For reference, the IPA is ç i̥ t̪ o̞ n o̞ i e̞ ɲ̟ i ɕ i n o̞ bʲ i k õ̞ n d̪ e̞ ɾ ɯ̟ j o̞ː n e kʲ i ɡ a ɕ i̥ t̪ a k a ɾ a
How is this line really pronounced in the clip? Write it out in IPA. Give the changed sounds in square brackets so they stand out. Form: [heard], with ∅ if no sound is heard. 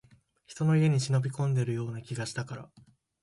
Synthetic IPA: ç i̥ t̪ o̞ n o̞ i e̞ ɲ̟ i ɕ i n o̞ bʲ i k õ̞ n d̪ e̞ ɾ ɯ̟ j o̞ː n [a] kʲ i ɡ a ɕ i̥ t̪ a k a ɾ a